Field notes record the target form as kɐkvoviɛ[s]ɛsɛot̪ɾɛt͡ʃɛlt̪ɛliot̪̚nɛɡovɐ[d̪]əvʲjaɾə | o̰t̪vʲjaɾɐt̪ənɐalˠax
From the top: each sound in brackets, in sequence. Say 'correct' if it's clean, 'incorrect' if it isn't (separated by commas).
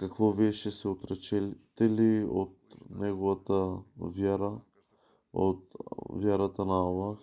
incorrect, incorrect